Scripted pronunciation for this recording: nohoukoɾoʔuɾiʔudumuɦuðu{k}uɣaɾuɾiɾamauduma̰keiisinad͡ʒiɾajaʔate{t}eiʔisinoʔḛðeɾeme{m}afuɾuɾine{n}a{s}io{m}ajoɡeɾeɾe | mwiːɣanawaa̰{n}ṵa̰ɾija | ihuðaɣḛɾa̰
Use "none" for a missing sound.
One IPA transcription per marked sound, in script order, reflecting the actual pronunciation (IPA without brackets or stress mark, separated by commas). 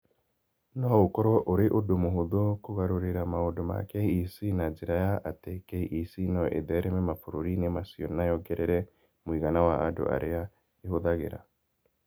k, k, m, m, s, n, d